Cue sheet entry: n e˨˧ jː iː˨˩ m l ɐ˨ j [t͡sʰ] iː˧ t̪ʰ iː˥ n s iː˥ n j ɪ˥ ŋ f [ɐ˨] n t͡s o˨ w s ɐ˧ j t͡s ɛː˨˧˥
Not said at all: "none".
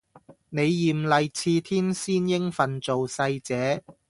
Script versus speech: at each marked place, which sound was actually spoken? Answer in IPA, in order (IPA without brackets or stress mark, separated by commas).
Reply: t͡sʰ, ɐ˨